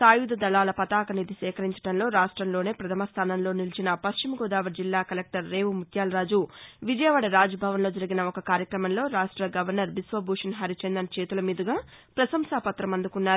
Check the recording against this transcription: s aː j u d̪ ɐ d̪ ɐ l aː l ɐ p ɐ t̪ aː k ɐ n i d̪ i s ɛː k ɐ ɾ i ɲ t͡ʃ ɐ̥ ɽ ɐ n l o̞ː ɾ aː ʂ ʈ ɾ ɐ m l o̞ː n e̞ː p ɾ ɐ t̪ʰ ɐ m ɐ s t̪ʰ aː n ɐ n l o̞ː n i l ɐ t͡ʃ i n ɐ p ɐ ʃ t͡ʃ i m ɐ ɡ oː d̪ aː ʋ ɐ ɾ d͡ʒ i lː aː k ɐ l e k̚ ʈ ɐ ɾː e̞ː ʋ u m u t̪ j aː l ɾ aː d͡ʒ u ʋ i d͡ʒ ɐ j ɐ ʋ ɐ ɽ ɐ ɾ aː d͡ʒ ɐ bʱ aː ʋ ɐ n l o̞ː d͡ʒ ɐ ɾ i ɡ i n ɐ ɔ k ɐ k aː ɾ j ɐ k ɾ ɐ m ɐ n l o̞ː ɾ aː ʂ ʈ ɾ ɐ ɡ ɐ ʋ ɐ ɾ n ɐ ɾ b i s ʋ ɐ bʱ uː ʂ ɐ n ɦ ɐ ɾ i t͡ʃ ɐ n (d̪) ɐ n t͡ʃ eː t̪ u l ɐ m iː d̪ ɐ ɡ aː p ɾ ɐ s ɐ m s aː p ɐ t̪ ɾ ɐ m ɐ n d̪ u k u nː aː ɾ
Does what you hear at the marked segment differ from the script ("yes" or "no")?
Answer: no